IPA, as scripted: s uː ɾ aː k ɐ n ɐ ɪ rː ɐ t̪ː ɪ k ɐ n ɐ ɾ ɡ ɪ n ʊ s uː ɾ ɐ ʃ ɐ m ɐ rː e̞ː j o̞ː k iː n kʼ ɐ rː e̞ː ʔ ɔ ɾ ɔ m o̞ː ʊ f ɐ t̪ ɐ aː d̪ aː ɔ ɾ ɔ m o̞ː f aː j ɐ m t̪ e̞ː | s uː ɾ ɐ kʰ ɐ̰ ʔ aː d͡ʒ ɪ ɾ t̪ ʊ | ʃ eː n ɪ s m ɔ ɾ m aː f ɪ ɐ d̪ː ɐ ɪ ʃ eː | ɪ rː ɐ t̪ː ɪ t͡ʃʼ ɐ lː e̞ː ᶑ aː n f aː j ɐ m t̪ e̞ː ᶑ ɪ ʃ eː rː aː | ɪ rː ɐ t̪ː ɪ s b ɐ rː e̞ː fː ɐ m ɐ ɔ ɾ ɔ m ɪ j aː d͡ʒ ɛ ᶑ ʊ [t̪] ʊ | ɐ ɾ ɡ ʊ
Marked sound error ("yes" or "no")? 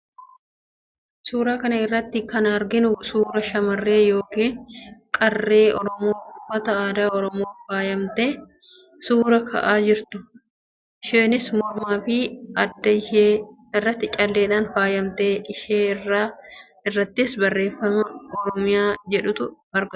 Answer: no